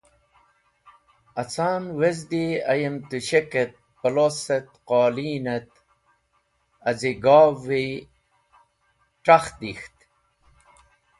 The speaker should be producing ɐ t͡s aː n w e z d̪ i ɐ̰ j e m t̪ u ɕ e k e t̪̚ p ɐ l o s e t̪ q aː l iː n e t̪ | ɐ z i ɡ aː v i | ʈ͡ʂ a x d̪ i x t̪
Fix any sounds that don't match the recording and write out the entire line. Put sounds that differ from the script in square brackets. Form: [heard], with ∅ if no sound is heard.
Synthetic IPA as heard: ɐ t͡s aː n w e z d̪ i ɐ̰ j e m t̪ u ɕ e k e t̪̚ p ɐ l o s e t̪ q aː l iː n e t̪ | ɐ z i ɡ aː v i | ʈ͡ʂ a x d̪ i x t̪